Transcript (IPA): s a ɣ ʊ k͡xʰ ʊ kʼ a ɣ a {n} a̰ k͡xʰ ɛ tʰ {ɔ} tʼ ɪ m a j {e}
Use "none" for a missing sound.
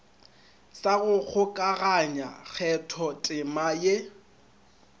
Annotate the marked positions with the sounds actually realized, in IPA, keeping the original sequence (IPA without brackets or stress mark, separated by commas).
ɲ, ɔ, e